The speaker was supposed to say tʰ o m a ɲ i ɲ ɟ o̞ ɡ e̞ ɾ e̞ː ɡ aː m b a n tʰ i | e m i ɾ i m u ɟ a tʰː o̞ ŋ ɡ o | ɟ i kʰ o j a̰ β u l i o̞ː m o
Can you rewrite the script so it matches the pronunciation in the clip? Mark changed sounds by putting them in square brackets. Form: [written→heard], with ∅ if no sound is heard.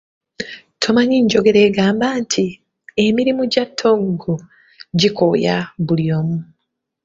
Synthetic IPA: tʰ o m a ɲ i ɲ ɟ o̞ ɡ e̞ ɾ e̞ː ɡ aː m b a n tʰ i | e m i ɾ i m u ɟ a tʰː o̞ ŋ ɡ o | ɟ i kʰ o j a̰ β u l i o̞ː m [o→u]